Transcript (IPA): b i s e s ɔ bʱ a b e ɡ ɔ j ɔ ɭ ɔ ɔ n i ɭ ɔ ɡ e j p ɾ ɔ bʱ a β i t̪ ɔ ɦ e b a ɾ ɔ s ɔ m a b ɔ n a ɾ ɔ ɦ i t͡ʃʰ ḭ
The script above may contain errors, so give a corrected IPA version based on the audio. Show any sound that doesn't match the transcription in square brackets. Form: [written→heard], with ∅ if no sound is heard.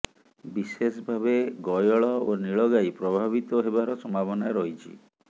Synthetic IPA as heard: b i s e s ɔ bʱ a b e ɡ ɔ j ɔ ɭ ɔ [ɔ→o] n i ɭ ɔ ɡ [e→a] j p ɾ ɔ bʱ a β i t̪ ɔ ɦ e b a ɾ ɔ s ɔ m a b ɔ n a ɾ ɔ ɦ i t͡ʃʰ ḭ